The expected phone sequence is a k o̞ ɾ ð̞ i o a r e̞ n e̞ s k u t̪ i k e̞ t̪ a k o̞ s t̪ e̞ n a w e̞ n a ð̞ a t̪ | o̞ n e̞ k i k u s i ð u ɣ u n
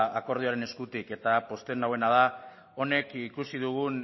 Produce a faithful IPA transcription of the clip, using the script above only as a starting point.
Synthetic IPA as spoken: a k o̞ ɾ ð̞ i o a ɾ e̞ n e̞ s k u t̪ i k e̞ t̪ a p o̞ s t̪ e̞ n a w e̞ n a ð̞ a | o̞ n e̞ k i k u s i ð u ɣ u n